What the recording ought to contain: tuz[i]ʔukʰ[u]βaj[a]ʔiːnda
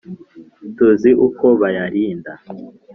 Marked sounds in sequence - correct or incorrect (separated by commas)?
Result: correct, incorrect, correct